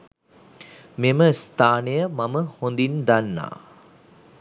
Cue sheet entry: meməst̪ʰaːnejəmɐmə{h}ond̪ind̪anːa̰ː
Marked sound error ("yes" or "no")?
no